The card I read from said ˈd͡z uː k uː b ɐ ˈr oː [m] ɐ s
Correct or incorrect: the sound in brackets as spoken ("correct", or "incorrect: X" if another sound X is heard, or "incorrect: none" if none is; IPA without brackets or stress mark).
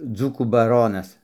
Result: incorrect: n